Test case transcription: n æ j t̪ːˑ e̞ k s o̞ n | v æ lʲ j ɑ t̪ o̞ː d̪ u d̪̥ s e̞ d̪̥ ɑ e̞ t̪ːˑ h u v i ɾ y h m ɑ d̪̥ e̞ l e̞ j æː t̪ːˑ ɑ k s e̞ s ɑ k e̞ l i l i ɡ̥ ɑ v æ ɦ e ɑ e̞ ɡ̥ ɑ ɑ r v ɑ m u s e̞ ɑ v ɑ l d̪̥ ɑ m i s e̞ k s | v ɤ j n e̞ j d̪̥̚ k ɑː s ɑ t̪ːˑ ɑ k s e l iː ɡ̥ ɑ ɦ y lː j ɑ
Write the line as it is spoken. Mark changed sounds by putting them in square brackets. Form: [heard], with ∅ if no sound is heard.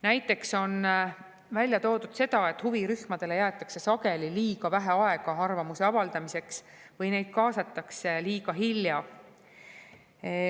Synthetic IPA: n æ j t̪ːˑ e̞ k s o̞ n | v æ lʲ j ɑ t̪ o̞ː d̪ u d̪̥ s e̞ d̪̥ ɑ e̞ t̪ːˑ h u v i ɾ y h m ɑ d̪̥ e̞ l e̞ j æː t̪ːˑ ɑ k s e̞ s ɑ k e̞ l i l [iː] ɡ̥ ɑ v æ ɦ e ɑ e̞ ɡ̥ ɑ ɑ r v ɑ m u s e̞ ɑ v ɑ l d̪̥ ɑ m i s e̞ k s | v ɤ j n e̞ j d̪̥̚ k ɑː s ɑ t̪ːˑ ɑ k s e l iː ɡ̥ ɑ ɦ [i] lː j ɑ